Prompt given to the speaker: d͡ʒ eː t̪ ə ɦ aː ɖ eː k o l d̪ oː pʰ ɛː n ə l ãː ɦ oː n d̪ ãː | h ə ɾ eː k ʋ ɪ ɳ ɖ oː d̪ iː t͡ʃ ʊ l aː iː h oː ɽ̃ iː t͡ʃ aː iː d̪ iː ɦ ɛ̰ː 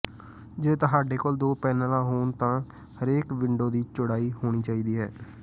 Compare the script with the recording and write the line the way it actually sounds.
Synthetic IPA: d͡ʒ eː t̪ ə ɦ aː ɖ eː k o l d̪ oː p ɛː n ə l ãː ɦ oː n t̪ ãː | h ə ɾ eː k ʋ ɪ ɳ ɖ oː d̪ iː t͡ʃ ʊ ɽ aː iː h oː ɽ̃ iː t͡ʃ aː iː d̪ iː ɦ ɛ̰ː